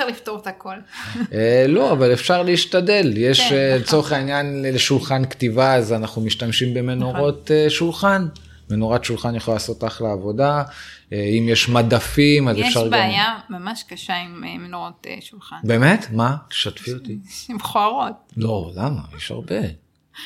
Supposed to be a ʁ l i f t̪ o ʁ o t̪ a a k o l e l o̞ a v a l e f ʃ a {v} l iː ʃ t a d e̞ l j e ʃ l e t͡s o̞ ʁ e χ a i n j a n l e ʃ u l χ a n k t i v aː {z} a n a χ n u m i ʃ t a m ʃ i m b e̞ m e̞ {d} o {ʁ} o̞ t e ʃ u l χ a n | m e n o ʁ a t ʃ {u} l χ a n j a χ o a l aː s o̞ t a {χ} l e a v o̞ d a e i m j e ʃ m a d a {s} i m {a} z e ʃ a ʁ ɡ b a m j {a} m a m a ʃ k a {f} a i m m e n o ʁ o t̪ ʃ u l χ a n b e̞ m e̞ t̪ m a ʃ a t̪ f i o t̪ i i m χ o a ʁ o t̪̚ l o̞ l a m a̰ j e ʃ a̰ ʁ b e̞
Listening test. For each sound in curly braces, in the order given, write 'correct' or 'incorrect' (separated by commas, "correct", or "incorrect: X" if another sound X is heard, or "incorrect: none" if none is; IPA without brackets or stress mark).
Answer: incorrect: ʁ, correct, incorrect: n, correct, correct, correct, incorrect: f, correct, correct, incorrect: ʃ